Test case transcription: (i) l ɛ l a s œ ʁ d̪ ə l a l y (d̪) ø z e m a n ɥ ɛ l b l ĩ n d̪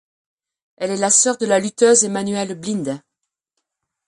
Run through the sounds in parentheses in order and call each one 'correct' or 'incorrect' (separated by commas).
incorrect, incorrect